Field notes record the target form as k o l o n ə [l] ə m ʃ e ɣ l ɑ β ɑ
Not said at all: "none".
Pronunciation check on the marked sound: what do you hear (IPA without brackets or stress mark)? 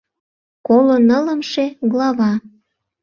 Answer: l